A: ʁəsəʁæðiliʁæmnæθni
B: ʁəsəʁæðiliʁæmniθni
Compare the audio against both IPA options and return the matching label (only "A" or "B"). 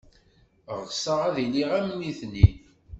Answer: B